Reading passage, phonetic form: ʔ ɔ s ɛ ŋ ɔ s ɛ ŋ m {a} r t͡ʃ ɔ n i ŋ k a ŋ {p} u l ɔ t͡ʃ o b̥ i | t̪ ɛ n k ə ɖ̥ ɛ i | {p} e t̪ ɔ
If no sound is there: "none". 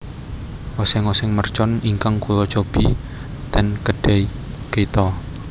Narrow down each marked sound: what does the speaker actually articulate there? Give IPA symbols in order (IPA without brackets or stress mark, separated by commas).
ə, k, k